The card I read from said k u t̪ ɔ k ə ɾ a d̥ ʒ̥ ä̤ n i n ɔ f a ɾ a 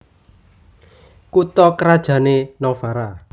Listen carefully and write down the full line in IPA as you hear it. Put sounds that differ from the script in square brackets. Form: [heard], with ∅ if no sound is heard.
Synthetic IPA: k u t̪ ɔ k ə ɾ a d̥ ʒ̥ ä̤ n [e] n ɔ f a ɾ a